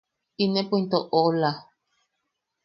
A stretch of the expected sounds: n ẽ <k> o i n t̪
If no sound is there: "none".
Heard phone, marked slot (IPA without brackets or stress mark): p